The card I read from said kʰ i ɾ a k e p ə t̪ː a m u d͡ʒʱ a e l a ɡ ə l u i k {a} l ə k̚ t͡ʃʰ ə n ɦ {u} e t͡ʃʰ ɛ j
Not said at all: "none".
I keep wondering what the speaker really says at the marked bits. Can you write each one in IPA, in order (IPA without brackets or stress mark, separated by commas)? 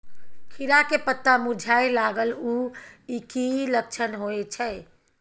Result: i, o